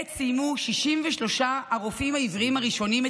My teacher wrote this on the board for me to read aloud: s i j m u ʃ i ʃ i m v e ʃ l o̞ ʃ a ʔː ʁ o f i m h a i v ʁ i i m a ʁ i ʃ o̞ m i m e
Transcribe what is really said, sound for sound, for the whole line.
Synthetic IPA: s i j m u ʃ i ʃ i m v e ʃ l o̞ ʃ a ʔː ʁ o f i m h a i v ʁ i i m a ʁ i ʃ o̞ n i m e